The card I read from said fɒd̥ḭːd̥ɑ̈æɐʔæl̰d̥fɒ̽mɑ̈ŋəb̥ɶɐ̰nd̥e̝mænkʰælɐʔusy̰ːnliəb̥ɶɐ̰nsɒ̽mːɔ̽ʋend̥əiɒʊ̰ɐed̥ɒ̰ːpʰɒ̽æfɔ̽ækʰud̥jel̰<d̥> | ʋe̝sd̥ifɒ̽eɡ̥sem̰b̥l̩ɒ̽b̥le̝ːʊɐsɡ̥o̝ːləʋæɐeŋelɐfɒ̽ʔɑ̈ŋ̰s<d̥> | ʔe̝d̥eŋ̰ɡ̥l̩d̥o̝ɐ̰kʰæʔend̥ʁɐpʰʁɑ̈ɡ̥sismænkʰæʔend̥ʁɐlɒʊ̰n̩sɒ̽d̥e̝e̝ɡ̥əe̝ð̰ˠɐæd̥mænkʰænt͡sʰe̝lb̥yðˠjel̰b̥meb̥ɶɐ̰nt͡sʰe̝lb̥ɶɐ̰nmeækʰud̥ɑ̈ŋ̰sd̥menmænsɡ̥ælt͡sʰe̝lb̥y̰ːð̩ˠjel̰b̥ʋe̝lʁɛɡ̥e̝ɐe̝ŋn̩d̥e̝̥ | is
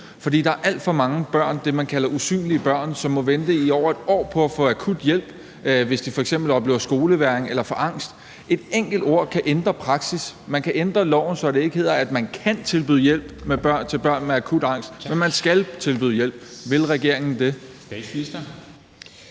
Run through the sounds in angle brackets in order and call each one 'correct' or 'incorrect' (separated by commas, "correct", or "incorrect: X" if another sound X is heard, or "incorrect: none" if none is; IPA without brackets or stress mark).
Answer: incorrect: b̥, correct